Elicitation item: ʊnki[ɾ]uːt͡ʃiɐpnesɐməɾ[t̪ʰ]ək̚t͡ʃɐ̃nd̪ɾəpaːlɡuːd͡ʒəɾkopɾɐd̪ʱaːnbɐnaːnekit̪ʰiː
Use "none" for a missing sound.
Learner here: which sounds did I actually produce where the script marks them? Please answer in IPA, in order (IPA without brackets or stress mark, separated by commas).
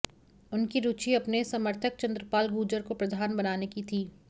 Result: ɾ, t̪ʰ